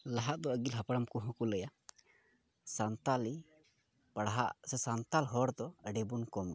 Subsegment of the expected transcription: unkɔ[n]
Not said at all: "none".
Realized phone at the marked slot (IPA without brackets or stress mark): m